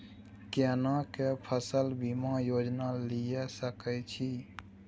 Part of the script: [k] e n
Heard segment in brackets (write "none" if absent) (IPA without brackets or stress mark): k